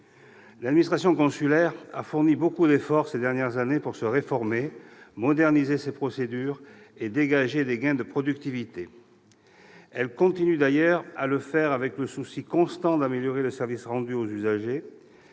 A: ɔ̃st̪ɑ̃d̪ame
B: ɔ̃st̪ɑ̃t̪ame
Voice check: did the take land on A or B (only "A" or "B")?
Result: A